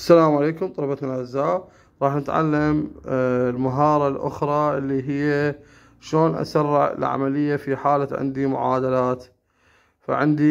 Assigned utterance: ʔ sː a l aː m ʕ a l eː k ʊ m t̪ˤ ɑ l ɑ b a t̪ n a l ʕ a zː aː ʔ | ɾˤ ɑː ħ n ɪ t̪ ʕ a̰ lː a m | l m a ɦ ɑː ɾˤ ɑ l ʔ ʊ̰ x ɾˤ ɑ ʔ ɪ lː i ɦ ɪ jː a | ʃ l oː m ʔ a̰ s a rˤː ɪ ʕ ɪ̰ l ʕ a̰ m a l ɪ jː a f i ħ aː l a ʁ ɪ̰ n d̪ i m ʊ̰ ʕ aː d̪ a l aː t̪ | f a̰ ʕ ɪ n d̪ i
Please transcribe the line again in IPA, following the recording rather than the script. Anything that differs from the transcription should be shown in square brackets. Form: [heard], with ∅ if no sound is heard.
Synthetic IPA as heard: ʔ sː a l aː m ʕ a l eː k ʊ m t̪ˤ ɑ l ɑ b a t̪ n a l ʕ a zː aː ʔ | ɾˤ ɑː ħ n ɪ t̪ ʕ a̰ lː a m | l m a ɦ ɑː ɾˤ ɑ l ʔ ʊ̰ x ɾˤ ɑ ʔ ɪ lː i ɦ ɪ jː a | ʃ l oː [n] ʔ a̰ s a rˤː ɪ ʕ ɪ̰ l ʕ a̰ m a l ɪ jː a f i ħ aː l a [ʕ] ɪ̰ n d̪ i m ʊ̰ ʕ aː d̪ a l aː t̪ | f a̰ ʕ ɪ n d̪ i